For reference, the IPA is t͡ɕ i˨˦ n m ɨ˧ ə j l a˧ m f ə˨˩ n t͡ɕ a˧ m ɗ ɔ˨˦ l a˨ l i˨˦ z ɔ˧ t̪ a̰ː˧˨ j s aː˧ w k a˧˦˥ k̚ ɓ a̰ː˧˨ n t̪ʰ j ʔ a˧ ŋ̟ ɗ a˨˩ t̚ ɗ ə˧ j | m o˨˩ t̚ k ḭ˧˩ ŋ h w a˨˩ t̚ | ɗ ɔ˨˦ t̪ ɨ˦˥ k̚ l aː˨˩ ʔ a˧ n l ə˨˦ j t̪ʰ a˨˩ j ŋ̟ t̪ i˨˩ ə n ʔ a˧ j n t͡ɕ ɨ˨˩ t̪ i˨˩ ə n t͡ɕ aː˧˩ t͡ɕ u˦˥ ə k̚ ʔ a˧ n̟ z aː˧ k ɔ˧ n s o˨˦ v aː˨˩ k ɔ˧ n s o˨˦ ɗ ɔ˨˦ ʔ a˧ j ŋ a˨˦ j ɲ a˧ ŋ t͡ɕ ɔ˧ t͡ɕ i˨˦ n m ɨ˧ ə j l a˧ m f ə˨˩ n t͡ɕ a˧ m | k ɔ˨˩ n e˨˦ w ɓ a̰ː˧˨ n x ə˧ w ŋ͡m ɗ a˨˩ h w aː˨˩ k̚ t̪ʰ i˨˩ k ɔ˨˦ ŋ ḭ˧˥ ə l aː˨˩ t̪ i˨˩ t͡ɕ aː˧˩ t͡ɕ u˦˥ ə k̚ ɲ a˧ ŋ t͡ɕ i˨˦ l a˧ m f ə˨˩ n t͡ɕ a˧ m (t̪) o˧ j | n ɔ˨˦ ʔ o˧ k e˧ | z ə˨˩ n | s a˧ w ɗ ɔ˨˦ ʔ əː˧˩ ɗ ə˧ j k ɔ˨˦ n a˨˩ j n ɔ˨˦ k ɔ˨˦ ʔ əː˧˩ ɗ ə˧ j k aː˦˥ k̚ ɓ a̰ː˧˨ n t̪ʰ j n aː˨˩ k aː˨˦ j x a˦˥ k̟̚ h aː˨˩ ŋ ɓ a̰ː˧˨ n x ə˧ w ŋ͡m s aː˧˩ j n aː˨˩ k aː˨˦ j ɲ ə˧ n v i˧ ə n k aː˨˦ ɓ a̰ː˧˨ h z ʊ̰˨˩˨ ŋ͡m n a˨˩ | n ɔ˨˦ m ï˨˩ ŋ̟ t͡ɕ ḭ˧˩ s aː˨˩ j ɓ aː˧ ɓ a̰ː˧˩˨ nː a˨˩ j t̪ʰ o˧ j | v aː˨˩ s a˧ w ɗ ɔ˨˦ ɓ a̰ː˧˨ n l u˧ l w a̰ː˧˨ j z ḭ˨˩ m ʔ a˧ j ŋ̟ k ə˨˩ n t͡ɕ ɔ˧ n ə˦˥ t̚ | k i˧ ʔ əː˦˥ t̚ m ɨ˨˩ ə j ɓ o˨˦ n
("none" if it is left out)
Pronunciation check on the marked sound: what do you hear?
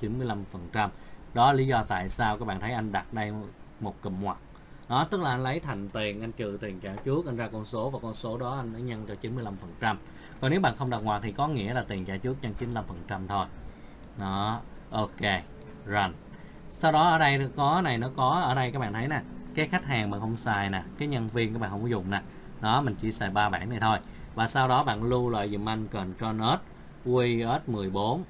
t̪ʰ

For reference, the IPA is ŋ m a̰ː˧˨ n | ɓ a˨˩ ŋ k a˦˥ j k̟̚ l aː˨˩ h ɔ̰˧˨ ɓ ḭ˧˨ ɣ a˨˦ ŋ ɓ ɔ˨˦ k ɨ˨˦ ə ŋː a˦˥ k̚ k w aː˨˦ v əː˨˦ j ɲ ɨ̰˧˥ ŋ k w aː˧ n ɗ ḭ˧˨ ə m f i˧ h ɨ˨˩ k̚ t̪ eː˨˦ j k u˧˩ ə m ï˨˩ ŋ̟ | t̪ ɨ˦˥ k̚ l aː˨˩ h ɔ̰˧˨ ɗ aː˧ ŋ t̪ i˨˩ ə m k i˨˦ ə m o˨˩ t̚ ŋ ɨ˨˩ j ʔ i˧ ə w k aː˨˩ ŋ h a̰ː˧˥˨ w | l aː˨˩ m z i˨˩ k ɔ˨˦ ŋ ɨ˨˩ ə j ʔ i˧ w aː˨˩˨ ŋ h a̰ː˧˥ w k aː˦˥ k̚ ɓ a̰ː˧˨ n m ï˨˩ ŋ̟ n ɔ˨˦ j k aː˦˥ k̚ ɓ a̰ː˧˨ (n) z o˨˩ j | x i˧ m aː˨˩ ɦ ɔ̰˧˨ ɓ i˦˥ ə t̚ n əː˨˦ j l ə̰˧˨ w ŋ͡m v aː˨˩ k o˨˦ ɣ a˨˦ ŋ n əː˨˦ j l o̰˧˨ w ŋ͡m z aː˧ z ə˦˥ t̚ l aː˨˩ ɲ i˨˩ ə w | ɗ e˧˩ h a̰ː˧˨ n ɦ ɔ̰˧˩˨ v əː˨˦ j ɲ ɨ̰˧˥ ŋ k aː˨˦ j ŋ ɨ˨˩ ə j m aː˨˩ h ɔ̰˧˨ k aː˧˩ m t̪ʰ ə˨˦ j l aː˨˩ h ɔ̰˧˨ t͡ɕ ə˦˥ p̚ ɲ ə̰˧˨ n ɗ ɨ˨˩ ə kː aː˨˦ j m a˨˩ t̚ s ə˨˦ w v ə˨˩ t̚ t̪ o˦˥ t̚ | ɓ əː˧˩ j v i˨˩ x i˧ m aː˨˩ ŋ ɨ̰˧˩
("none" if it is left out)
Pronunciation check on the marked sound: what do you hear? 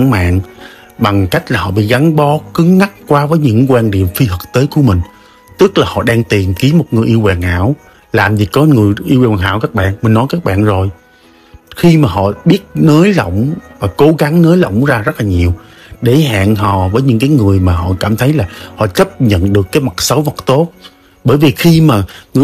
n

